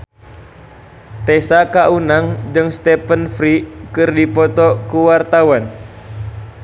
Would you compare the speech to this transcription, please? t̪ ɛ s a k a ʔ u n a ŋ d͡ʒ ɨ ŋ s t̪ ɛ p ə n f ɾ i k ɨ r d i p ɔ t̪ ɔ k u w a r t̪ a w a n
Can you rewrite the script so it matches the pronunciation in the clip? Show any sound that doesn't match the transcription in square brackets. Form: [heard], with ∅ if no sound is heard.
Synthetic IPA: t̪ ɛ s a k a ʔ u n a ŋ d͡ʒ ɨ ŋ s t̪ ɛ p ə n f ɾ i k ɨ r d i p ɔ t̪ ɔ k u w a r t̪ a w a n